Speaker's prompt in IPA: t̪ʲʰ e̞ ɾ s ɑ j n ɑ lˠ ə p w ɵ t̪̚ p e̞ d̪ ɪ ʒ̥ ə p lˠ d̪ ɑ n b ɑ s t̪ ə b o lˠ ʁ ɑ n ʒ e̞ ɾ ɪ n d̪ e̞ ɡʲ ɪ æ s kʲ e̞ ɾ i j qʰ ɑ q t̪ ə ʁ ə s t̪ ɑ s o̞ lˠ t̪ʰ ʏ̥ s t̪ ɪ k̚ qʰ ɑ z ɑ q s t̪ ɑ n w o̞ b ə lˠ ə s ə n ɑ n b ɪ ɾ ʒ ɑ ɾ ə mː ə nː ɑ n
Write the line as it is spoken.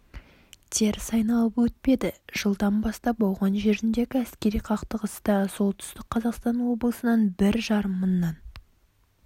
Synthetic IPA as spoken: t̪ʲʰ e̞ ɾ s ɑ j n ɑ lˠ ə p w ɵ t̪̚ p e̞ d̪ ɪ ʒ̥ ə lˠ d̪ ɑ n b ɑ s t̪ ɑ b o lˠ ʁ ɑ n ʒ e̞ ɾ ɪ n d̪ e̞ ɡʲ ɪ æ s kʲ e̞ ɾ i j qʰ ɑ q t̪ ə ʁ ə s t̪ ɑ s o̞ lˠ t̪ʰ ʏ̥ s t̪ ɪ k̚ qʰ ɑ z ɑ q s t̪ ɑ n w o̞ b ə lˠ ə s ə n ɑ n b ɪ ɾ ʒ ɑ ɾ ə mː ə nː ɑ n